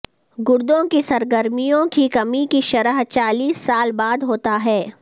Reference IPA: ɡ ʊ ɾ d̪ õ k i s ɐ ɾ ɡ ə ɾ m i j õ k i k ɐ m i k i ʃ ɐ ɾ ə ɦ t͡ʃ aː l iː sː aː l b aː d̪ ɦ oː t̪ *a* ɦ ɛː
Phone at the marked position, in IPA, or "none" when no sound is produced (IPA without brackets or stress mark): a